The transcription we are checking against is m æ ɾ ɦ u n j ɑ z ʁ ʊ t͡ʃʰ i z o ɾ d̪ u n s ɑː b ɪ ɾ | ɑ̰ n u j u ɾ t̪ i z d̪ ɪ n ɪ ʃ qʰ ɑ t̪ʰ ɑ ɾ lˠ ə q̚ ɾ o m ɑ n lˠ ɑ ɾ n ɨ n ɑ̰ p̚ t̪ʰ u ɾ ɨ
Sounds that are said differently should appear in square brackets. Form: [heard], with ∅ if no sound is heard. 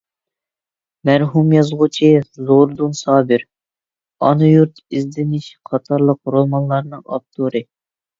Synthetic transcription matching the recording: m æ ɾ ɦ u [m] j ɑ z ʁ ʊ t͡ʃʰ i z o ɾ d̪ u n s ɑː b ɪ ɾ | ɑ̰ n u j u ɾ t̪ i z d̪ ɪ n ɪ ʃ qʰ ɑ t̪ʰ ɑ ɾ lˠ ə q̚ ɾ o m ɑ n lˠ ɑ ɾ n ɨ [ŋ] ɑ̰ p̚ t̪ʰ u ɾ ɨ